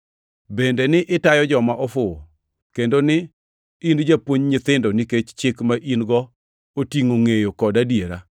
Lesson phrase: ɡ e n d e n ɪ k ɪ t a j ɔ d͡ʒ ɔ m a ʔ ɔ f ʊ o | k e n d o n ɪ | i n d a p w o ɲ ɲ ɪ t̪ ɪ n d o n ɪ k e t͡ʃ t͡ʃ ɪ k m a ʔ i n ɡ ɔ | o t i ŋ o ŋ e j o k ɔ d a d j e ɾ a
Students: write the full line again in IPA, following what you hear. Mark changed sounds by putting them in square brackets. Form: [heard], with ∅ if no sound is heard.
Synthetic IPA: [b] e n d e n ɪ [ʔ] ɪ t a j ɔ d͡ʒ ɔ m a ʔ ɔ f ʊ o | k e n d o n ɪ | i n [d͡ʒ] a p w o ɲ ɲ ɪ t̪ ɪ n d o n [i] k e t͡ʃ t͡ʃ ɪ k m a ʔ i n ɡ ɔ | o t i ŋ o ŋ e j o k ɔ d a d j e ɾ a